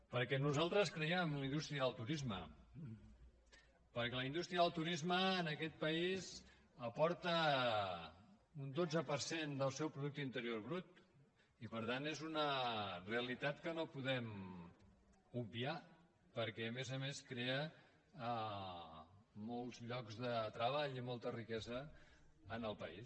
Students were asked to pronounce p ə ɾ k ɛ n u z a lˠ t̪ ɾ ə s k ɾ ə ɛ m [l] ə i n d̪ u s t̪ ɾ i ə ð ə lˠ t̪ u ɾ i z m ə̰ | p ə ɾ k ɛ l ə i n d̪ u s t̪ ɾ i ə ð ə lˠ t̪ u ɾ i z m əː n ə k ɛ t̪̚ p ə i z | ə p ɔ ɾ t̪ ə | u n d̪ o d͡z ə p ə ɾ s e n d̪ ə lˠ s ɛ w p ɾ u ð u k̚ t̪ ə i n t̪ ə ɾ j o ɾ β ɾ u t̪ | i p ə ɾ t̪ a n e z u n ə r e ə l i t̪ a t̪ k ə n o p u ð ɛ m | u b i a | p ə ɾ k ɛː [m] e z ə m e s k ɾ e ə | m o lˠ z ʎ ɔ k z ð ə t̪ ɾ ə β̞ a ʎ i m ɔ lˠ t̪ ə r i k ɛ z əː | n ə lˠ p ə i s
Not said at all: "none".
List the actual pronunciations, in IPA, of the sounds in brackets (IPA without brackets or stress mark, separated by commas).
l, m